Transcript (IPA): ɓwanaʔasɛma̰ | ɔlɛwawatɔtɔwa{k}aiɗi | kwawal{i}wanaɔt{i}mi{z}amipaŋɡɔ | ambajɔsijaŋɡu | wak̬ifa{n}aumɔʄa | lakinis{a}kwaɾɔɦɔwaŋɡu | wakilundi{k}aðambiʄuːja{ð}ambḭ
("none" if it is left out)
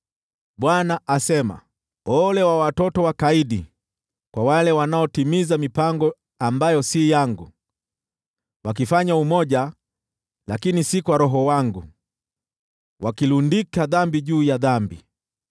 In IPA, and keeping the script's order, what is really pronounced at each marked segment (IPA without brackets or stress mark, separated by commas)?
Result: k, ɛ, i, z, ɲ, i, k, ð